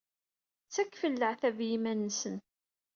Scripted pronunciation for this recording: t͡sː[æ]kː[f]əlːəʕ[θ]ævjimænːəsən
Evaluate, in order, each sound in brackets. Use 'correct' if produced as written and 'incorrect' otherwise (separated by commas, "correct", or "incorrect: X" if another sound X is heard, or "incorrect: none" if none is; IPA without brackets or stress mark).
correct, correct, correct